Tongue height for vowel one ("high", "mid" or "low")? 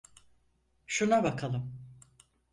high